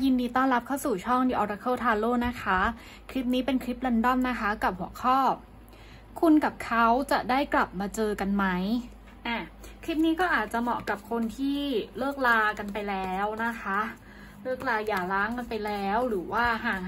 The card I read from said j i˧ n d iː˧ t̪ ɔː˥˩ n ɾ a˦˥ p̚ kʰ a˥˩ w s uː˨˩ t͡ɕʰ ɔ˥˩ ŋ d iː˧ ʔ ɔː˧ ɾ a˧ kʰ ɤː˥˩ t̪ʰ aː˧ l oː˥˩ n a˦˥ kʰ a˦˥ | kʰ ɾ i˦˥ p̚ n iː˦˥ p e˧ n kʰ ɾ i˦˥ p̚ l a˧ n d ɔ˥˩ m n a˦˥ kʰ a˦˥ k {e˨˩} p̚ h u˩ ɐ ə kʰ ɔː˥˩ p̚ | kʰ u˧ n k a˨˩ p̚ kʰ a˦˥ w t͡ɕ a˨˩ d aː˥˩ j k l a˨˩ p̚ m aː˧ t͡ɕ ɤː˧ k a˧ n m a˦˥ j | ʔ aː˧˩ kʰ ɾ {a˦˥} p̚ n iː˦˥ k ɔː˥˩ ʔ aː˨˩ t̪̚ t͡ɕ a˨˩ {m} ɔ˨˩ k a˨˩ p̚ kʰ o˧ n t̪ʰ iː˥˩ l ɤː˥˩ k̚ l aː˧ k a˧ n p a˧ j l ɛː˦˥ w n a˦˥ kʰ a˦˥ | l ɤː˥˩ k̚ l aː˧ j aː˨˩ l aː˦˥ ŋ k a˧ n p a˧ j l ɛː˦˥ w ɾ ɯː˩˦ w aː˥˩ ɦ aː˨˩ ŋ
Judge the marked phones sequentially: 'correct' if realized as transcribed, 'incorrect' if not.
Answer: incorrect: a˨˩, incorrect: i˦˥, correct

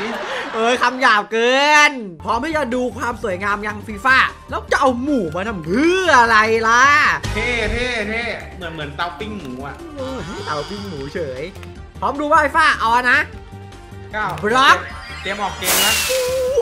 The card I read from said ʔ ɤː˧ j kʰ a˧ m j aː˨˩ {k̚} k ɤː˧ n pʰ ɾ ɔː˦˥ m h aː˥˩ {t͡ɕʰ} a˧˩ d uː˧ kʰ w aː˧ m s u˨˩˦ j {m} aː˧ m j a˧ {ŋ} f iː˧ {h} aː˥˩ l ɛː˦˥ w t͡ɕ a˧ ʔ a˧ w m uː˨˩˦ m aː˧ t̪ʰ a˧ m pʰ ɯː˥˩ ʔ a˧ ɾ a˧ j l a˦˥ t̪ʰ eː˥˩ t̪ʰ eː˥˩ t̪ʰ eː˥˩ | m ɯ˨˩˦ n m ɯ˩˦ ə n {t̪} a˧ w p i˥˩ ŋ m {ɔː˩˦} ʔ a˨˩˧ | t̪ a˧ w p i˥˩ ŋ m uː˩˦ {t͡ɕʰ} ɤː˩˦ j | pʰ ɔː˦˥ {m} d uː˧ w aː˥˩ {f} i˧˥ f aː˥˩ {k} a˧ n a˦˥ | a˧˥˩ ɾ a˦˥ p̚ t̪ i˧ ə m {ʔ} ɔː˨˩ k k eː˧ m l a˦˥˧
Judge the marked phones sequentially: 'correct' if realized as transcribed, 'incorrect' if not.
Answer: incorrect: p̚, incorrect: t͡ɕ, incorrect: ŋ, correct, incorrect: f, correct, incorrect: uː˩˦, correct, correct, correct, incorrect: ʔ, correct

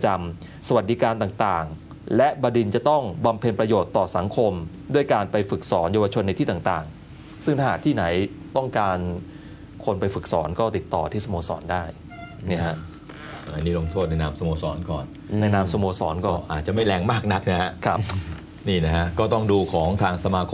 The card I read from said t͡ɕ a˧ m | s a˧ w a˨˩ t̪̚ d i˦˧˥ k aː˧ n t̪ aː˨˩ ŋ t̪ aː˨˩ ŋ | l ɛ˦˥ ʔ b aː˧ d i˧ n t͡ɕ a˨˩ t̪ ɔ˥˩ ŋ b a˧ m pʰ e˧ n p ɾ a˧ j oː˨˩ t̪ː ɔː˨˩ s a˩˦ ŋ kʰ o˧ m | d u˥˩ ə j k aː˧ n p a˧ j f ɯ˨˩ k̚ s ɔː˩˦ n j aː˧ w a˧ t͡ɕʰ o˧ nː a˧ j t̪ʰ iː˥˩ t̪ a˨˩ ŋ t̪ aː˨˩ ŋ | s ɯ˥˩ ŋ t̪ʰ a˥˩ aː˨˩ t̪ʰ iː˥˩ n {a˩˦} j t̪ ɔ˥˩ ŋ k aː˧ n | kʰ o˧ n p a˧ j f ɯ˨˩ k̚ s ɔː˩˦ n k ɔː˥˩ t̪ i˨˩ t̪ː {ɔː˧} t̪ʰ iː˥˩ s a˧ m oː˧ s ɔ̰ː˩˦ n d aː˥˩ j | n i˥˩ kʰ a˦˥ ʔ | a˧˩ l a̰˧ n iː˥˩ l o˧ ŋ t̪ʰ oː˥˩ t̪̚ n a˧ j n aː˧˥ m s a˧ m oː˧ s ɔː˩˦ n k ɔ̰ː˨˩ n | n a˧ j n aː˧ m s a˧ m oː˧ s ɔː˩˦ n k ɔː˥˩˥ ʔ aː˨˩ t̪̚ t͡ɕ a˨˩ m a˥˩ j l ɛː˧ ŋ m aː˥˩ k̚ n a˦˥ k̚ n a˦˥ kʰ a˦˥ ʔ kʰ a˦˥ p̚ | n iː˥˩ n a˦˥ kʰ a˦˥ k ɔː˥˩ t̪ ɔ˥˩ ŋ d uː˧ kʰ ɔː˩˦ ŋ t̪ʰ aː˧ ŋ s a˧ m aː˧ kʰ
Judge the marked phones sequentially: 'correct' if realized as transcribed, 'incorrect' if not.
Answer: correct, incorrect: ɔː˨˩

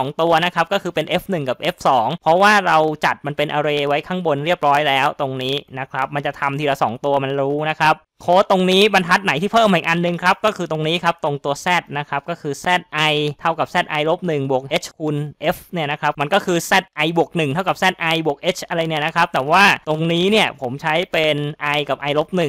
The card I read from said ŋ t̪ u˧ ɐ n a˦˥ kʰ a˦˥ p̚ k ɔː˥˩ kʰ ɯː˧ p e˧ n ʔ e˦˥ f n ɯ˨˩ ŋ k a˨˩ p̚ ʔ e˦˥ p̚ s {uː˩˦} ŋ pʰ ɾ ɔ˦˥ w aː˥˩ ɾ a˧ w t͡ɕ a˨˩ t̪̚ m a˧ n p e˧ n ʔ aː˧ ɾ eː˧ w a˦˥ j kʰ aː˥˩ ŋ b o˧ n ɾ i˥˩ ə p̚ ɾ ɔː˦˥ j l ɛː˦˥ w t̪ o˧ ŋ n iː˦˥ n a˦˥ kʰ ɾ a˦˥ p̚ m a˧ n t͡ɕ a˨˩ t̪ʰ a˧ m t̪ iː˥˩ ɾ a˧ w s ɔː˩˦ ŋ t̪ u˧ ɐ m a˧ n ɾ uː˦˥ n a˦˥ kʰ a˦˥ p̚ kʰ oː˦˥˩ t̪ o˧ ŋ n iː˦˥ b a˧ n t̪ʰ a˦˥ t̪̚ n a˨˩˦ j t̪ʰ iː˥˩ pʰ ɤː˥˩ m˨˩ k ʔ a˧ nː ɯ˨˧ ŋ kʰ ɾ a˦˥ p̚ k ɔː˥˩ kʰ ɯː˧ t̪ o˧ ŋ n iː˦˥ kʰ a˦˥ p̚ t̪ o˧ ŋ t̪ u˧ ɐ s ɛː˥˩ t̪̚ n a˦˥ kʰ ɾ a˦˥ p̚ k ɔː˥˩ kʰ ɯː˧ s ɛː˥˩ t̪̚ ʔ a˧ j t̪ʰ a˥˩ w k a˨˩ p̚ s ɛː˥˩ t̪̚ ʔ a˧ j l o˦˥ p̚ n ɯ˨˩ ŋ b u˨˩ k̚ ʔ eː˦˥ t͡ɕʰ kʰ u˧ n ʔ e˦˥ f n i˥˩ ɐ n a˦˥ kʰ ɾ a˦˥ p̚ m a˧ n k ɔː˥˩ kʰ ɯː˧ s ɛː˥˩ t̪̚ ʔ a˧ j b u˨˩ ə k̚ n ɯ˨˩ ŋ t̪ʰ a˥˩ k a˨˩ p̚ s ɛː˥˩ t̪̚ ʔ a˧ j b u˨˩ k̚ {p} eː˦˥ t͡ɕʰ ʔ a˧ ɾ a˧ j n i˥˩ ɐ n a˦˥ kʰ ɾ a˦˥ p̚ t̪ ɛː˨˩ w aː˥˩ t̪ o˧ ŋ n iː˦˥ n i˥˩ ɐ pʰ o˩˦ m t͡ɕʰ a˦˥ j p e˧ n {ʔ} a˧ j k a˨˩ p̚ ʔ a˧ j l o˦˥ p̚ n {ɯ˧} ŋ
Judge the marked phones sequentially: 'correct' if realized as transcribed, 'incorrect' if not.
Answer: incorrect: ɔː˩˦, incorrect: ʔ, correct, incorrect: ɯ˨˩

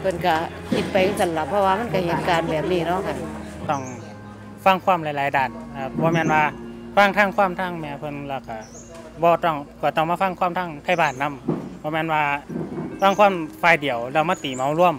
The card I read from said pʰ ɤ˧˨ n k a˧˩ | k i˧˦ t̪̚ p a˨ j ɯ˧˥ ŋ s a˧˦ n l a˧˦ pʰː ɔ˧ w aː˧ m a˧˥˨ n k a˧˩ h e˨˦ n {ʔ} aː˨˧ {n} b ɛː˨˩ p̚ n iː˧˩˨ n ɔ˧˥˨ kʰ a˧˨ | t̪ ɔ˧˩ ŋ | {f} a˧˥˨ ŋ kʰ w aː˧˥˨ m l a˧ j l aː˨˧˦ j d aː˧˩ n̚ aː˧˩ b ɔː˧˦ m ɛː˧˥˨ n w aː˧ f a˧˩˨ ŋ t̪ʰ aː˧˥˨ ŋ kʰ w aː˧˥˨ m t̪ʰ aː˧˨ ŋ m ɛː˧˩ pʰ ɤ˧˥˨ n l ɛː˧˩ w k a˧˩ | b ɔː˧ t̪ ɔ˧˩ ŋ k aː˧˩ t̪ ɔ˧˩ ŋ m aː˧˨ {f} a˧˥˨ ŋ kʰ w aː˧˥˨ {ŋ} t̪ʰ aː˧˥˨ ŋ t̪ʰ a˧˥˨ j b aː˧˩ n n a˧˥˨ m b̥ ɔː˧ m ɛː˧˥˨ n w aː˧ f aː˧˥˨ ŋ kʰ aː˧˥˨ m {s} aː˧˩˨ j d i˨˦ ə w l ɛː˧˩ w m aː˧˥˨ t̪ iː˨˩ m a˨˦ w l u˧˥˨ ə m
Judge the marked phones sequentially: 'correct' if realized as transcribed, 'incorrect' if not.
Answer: incorrect: k, correct, correct, correct, incorrect: m, incorrect: f

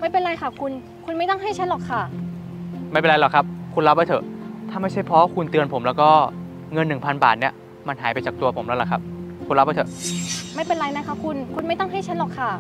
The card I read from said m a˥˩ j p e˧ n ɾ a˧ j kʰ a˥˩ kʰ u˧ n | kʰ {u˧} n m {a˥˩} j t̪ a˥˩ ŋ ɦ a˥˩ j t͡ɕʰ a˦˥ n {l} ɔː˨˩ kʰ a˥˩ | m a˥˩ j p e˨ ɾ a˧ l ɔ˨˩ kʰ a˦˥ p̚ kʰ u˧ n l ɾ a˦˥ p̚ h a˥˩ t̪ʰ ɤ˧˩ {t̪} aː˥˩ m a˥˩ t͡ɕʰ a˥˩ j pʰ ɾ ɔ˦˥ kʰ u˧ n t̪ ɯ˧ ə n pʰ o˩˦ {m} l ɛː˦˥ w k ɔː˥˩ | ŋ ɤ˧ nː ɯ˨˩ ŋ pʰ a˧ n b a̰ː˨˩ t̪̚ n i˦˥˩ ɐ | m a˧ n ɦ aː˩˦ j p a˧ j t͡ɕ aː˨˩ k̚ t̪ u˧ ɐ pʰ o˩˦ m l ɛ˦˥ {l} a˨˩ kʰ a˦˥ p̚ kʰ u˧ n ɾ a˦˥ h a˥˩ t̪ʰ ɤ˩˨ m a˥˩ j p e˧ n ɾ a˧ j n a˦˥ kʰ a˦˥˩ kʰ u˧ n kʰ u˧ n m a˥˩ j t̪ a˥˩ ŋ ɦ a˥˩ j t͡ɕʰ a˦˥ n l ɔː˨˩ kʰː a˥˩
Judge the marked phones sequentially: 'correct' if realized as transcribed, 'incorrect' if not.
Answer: correct, correct, correct, incorrect: t̪ʰ, correct, correct

